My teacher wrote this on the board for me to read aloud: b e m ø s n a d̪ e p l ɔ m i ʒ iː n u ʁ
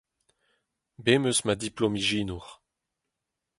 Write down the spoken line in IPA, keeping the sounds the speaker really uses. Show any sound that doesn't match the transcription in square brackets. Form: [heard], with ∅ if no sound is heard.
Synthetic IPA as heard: b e m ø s [m] a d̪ [i] p l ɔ m i ʒ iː n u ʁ

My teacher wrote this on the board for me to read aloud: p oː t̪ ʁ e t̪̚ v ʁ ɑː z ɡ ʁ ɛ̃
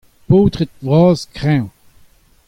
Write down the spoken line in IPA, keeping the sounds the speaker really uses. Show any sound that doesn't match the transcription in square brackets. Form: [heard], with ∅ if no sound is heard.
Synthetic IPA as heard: p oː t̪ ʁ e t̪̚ v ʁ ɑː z [k] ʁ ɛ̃

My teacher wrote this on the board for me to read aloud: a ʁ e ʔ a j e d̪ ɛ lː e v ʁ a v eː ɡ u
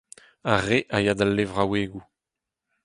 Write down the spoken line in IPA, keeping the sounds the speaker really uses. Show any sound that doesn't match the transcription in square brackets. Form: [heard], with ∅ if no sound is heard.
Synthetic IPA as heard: a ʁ e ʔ a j [a] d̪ [a] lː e v ʁ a [w] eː ɡ u

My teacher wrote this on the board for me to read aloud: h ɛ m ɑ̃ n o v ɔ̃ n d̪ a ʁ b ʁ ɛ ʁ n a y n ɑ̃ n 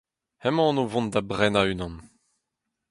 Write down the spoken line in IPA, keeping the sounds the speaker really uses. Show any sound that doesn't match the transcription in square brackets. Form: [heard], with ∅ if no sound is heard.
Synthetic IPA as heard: h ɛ m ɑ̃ n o v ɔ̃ n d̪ a [∅] b ʁ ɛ [∅] n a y n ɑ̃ n

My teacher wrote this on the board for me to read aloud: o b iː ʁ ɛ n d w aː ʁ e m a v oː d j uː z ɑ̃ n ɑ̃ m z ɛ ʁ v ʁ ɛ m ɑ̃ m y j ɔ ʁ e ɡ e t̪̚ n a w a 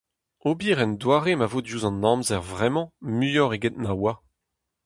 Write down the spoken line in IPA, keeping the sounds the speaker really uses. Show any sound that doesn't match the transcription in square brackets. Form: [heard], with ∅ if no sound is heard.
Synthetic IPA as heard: o b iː ʁ ɛ n d w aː ʁ e m a v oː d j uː z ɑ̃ n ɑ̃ m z ɛ ʁ v ʁ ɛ m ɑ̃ m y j ɔ ʁ e ɡ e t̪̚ n a w a

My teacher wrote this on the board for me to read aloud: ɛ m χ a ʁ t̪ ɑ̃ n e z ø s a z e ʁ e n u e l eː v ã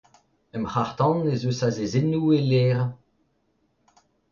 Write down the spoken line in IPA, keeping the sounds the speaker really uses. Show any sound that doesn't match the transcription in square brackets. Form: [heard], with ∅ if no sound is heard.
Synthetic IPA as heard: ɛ m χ a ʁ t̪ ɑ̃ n e z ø s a z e [z] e n u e l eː [ʁ] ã

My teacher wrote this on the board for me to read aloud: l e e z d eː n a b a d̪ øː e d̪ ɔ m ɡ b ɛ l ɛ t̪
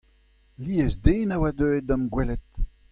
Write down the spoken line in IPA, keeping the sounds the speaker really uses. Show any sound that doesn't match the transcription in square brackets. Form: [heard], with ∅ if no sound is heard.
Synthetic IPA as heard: l [i] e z d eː n a [w] a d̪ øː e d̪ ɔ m ɡ [w] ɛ l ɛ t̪

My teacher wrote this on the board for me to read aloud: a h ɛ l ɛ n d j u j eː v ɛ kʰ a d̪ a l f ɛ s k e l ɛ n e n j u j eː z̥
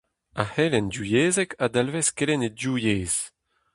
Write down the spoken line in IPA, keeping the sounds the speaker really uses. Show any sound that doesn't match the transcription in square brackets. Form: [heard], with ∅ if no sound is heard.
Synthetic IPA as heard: a h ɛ l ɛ n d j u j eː [z] ɛ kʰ a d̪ a l [v] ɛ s k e l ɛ n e [d] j u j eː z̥

